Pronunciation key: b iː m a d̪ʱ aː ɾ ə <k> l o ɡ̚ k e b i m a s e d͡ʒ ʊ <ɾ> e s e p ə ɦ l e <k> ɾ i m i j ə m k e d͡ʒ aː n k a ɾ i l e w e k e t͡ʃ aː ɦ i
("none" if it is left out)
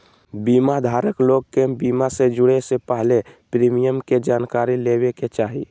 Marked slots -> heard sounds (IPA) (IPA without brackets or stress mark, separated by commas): k, ɽ, p